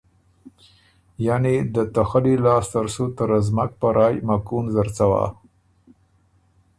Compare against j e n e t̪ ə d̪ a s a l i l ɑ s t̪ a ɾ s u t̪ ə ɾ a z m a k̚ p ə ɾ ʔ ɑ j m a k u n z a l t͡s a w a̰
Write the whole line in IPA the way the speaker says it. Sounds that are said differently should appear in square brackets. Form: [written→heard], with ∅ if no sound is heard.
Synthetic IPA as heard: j [e→a] n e [t̪→d̪] ə [d̪→t̪] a [s→x] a l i l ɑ s t̪ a ɾ s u t̪ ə ɾ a z m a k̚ p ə ɾ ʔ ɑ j m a k u n z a [l→ɾ] t͡s a w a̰